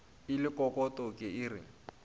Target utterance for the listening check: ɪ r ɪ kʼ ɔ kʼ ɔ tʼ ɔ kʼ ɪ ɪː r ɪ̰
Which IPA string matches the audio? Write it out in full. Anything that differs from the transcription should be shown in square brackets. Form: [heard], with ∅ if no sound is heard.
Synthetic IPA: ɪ [l] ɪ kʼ ɔ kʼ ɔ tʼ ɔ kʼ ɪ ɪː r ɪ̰